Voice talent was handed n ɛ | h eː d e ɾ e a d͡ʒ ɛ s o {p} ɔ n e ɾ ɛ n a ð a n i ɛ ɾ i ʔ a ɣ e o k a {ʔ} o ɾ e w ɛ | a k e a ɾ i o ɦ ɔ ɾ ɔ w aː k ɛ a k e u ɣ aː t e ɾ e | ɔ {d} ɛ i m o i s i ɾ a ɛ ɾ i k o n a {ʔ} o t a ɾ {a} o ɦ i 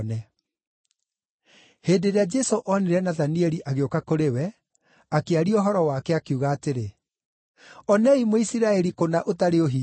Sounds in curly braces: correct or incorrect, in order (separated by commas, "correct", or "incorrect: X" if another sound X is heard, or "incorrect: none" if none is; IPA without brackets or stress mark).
incorrect: ʔ, incorrect: k, incorrect: n, correct, incorrect: e